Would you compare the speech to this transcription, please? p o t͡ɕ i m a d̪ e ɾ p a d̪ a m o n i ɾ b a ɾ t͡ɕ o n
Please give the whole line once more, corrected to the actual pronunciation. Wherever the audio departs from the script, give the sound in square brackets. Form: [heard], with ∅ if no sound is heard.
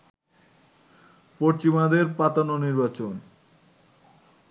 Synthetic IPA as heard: p o t͡ɕ i m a d̪ e ɾ p a [t̪] a [n] o n i ɾ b a [∅] t͡ɕ o n